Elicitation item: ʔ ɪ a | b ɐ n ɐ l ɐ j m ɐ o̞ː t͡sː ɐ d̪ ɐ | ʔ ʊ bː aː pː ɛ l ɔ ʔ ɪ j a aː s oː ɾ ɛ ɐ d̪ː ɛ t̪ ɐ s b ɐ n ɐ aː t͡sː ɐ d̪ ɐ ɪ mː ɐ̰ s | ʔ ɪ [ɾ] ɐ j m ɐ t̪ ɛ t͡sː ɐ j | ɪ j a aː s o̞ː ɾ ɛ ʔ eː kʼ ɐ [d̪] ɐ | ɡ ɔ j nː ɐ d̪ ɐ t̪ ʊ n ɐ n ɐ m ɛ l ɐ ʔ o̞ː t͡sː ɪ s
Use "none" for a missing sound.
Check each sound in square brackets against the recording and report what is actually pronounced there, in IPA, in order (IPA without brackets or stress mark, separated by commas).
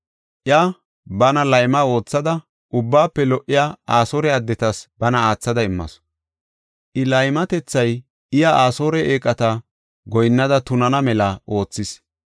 l, t̪